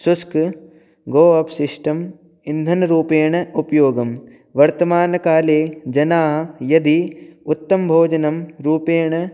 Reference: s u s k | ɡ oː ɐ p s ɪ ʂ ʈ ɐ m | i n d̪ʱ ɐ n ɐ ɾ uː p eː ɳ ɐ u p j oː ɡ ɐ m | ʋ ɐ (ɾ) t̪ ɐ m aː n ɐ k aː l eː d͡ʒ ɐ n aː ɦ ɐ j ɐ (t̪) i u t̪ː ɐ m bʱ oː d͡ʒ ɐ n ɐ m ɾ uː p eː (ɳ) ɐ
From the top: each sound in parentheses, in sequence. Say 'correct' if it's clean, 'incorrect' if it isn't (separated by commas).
correct, incorrect, correct